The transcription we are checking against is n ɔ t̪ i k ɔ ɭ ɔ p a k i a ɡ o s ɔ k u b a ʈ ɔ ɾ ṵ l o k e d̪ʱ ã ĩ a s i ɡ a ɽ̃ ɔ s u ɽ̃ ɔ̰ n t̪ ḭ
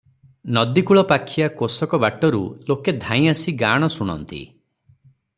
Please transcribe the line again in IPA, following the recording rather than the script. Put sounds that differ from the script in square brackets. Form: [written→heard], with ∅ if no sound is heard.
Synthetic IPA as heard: n ɔ [t̪→d̪] i k [ɔ→u] ɭ ɔ p a [k→kʰ] i a [ɡ→k] o s ɔ k [u→ɔ] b a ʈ ɔ ɾ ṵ l o k e d̪ʱ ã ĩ a s i ɡ a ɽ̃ ɔ s u ɽ̃ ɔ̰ n t̪ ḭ